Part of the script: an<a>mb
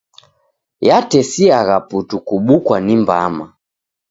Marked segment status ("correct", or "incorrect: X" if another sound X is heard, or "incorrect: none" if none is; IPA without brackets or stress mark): incorrect: i